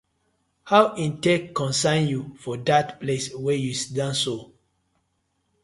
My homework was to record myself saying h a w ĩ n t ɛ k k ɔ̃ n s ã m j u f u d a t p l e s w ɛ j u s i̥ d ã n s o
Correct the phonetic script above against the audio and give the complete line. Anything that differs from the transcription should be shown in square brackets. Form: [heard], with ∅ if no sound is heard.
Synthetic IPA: h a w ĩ n t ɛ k k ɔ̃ n s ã [n] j u f [ɔ] d a t p l e s w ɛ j u s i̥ d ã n s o